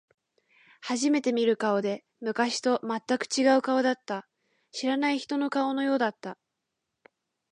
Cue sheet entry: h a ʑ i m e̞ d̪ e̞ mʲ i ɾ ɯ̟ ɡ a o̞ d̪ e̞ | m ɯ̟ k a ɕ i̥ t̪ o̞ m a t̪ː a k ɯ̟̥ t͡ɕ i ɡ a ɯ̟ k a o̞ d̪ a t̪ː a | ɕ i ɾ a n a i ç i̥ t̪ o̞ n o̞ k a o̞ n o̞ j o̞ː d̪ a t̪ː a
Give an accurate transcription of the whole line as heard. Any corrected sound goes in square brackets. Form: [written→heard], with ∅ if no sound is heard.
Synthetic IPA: h a ʑ i m e̞ [d̪→t̪] e̞ mʲ i ɾ ɯ̟ [ɡ→k] a o̞ d̪ e̞ | m ɯ̟ k a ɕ i̥ t̪ o̞ m a t̪ː a k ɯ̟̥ t͡ɕ i ɡ a ɯ̟ k a o̞ d̪ a t̪ː a | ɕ i ɾ a n a i ç i̥ t̪ o̞ n o̞ k a o̞ n o̞ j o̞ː d̪ a t̪ː a